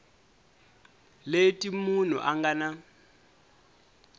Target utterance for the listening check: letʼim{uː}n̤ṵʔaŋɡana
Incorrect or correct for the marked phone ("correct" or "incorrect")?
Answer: incorrect